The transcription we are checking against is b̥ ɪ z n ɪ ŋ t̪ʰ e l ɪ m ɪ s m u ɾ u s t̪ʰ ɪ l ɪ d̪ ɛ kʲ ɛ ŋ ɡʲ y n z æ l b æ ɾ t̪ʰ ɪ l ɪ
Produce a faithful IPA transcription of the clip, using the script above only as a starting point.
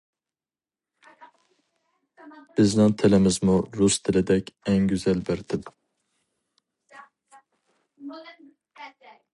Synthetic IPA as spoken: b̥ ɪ z n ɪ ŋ t̪ʰ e l ɪ m ɪ z m u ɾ u s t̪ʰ ɪ l ɪ d̪ ɛ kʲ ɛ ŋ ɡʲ y z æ l b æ ɾ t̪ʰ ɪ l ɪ